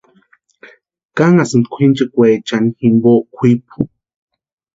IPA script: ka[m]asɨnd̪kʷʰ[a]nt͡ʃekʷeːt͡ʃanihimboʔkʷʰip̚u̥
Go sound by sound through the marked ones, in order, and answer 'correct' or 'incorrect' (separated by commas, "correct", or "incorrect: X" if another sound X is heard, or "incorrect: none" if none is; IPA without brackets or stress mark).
incorrect: ŋ, incorrect: i